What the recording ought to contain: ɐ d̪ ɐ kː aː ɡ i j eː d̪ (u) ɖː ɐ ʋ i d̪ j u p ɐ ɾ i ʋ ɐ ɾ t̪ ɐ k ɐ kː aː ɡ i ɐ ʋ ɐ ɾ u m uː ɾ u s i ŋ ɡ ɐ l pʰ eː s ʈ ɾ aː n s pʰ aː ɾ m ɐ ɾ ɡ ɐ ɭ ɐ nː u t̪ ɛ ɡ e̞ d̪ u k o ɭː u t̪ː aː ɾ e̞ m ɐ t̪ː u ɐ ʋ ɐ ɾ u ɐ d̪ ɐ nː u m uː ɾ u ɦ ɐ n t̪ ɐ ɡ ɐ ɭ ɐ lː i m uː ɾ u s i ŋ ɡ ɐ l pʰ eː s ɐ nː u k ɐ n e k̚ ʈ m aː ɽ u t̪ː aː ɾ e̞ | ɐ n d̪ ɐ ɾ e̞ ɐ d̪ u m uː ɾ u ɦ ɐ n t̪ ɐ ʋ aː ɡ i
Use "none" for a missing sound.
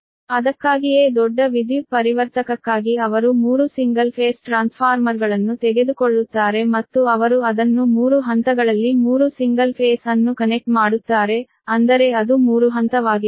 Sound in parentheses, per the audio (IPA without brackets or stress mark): ɔ